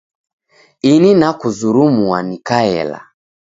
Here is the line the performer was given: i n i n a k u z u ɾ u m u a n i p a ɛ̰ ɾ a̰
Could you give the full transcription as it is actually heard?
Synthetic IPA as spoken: i n i n a k u z u ɾ u m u a n i k a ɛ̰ l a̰